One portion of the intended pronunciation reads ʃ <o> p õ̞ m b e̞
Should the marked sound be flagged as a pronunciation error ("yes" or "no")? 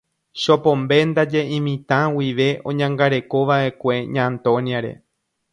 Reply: no